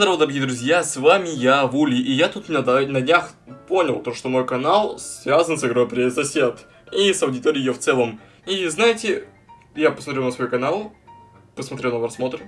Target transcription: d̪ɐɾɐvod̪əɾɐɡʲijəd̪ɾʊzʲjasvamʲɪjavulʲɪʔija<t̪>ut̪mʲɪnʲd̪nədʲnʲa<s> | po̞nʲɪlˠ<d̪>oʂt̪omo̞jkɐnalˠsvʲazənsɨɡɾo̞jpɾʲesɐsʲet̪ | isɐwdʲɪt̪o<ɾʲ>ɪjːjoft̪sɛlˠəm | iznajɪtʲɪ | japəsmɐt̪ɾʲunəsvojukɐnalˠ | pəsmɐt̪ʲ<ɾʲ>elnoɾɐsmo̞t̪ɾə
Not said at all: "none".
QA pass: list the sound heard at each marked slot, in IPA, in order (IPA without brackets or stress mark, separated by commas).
t̪, x, t̪, ɾʲ, ɾʲ